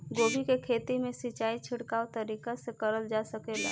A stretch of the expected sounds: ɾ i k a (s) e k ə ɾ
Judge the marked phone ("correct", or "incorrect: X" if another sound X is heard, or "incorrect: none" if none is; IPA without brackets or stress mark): correct